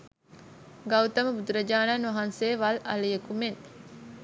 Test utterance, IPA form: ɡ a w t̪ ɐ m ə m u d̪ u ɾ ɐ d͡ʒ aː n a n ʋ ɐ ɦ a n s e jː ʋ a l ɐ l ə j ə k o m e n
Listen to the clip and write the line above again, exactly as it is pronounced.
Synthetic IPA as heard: ɡ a w t̪ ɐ m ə b u d̪ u ɾ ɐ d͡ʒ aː n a n ʋ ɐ ɦ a n s e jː ʋ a l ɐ l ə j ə k u m e n